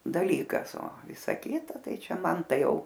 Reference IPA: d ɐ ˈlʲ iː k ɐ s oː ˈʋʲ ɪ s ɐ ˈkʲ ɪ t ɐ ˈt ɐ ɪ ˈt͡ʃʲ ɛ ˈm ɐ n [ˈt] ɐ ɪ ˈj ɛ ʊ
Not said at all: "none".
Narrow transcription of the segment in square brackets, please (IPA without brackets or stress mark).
t